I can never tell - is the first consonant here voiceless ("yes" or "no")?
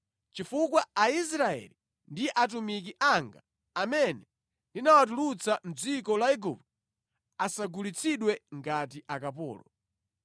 yes